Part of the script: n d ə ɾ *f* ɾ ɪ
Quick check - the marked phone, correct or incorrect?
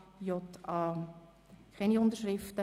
incorrect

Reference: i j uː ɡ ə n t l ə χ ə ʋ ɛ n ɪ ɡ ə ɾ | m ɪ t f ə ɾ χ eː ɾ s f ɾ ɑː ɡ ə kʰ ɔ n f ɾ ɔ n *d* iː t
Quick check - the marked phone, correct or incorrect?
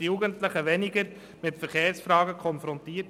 incorrect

